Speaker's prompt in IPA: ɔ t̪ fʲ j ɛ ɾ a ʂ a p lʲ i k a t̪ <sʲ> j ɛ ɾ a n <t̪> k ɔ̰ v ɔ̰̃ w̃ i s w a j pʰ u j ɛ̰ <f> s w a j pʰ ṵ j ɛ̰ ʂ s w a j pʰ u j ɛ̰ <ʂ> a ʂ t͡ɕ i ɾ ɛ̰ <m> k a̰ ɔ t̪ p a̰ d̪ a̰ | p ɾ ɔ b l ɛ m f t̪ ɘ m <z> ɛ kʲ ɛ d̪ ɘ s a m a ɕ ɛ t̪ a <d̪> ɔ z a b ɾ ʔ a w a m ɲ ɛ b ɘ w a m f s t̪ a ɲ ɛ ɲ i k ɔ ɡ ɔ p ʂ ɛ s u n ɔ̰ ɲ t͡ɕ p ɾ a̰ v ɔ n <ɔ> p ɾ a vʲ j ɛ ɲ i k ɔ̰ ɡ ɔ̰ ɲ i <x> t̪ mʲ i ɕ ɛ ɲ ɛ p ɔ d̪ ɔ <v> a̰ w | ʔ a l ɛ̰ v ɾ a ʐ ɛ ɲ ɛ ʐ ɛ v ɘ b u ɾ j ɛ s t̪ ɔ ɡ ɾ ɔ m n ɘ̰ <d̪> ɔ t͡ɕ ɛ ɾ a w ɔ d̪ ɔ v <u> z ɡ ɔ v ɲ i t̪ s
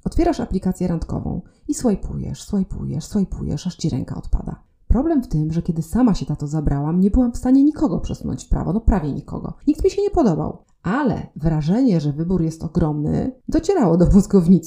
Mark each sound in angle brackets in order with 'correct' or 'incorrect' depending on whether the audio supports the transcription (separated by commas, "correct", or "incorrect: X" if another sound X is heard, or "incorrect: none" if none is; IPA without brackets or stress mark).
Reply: correct, correct, incorrect: ʂ, correct, incorrect: ŋ, incorrect: ʐ, incorrect: t̪, correct, incorrect: k, incorrect: b, correct, correct